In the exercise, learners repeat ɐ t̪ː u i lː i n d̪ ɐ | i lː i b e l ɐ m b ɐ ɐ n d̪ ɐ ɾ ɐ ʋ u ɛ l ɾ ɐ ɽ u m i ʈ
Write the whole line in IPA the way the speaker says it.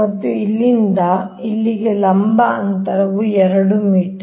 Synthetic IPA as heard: ɐ t̪ː u i lː i n d̪ ɐ | i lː i ɡ e l ɐ m b ɐ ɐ n t̪ ɐ ɾ ɐ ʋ u ɛ ɾ ɐ ɽ u m iː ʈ